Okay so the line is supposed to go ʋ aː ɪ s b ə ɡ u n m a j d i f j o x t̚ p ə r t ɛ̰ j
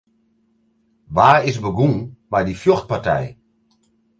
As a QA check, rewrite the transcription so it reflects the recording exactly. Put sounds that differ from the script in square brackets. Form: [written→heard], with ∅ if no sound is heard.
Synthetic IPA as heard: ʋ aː ɪ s b ə ɡ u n m a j d i f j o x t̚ p [ə→a] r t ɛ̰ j

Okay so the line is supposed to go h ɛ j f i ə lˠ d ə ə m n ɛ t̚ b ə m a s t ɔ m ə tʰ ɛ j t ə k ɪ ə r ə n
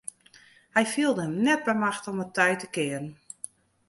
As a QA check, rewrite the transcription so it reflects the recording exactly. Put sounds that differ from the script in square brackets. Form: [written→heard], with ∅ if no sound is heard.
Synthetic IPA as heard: h ɛ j f i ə lˠ d ə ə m n ɛ t̚ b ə m a [s→x] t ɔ m ə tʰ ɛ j t ə k ɪ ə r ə n

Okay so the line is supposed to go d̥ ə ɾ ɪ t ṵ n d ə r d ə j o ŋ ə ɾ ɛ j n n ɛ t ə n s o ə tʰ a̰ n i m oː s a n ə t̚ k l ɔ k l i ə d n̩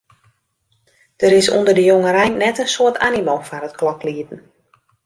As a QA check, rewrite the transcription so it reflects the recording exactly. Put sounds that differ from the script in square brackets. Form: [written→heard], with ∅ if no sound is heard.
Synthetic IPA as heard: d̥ ə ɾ ɪ [t→s] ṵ n d ə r d ə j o ŋ ə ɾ ɛ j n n ɛ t ə n s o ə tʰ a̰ n i m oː [s→f] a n ə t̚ k l ɔ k l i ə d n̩

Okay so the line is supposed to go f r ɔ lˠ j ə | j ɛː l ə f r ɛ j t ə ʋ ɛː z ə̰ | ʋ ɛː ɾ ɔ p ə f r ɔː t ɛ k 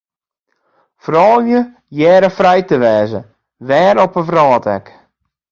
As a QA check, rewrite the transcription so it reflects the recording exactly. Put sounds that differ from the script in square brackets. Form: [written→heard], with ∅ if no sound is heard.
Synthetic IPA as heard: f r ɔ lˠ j ə | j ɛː [l→ɾ] ə f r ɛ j t ə ʋ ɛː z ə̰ | ʋ ɛː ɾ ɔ p ə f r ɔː t ɛ k

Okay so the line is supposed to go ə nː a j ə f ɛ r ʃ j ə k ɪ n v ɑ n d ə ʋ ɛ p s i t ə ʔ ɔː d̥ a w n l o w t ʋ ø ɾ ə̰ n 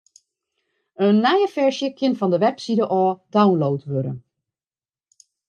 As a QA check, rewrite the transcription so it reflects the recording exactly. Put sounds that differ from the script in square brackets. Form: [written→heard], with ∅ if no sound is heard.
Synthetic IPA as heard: ə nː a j ə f ɛ [r→ɹ] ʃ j ə k ɪ n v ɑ n d ə ʋ ɛ p s i [t→d] ə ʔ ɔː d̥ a w n l o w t ʋ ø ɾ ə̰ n

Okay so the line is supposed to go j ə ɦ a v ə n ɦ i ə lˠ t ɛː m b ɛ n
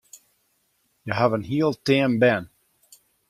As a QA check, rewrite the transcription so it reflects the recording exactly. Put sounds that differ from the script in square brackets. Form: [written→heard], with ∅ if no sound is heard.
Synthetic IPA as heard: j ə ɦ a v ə n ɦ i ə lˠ t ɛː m b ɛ n

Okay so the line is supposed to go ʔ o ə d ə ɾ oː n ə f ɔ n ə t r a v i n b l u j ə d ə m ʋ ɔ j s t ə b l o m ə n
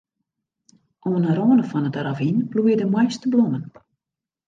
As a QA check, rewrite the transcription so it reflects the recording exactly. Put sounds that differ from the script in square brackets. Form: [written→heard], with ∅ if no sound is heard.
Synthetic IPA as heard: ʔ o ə [d→n] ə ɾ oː n ə f ɔ n ə t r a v i n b l u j ə d ə m [ʋ→w] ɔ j s t ə b l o m ə n

